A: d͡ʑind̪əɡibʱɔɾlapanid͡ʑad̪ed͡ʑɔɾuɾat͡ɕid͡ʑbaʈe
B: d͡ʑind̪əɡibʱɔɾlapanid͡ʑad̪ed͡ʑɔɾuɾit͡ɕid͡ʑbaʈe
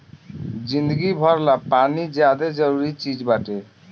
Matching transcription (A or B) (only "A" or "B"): B